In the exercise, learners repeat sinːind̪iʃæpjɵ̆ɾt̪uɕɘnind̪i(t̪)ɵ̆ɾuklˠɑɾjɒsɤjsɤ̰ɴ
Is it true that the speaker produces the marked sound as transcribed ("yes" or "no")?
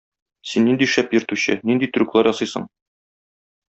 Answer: yes